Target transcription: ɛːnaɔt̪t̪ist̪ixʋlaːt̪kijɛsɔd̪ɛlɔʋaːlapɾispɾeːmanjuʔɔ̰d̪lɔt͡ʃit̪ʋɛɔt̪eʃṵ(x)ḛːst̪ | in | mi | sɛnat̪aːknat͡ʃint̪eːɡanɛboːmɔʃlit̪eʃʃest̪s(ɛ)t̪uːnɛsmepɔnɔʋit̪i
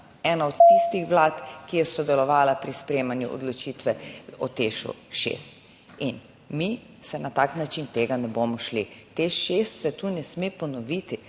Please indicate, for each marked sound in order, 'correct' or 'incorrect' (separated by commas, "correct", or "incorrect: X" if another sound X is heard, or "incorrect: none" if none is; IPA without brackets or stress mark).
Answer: incorrect: ʃ, correct